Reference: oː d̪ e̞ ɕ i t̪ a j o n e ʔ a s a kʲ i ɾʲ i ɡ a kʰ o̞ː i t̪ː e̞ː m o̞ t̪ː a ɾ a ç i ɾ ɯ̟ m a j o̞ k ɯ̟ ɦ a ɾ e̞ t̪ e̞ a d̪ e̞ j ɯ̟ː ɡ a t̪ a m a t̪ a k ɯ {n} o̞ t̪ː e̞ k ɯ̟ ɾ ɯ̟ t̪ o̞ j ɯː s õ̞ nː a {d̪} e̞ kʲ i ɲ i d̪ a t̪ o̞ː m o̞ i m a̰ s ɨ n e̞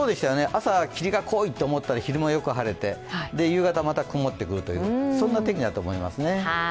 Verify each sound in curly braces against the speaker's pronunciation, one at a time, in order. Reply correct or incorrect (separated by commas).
incorrect, incorrect